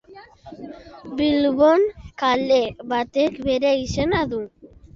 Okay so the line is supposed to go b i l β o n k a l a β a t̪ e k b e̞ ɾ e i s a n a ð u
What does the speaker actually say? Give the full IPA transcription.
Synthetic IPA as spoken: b i l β o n k a l e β a t̪ e k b e̞ ɾ e i s e n a ð u